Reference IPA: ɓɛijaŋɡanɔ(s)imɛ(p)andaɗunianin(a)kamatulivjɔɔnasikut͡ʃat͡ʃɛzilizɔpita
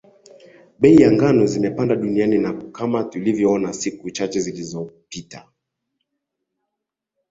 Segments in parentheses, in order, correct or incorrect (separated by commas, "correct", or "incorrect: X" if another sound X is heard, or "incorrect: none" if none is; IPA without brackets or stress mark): incorrect: z, correct, correct